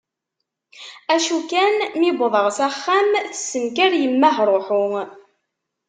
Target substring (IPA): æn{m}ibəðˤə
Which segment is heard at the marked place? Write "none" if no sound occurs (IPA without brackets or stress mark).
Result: m